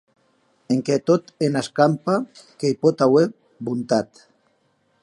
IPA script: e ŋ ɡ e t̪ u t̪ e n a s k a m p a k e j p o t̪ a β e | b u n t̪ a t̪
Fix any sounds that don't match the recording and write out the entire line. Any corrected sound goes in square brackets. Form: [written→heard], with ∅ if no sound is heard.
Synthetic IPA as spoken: e ŋ [ɡ→k] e t̪ [u→o] t̪ e n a s k a m p a k e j p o t̪ a [β→w] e | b u n t̪ a t̪